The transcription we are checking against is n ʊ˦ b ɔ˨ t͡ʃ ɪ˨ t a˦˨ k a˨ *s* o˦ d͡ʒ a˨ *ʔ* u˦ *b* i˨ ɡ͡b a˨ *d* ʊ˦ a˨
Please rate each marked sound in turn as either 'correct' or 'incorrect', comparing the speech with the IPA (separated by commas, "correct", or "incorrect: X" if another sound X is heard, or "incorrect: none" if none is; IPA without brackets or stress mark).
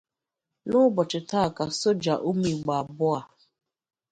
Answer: correct, correct, incorrect: m, incorrect: b